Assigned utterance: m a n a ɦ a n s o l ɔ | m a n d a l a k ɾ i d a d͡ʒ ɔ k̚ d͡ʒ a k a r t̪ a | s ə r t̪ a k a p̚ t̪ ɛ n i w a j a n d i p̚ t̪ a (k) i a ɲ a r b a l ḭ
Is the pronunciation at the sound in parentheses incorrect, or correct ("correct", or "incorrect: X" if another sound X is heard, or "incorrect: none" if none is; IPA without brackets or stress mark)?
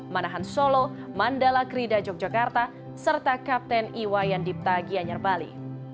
incorrect: ɡ